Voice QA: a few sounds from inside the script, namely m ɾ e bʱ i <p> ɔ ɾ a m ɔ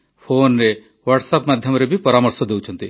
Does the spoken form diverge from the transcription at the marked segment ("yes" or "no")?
no